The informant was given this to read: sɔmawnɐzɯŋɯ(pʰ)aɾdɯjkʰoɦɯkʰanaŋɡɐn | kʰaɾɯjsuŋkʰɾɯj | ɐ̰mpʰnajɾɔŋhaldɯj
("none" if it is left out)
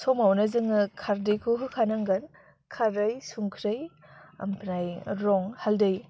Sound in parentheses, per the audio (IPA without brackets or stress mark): kʰ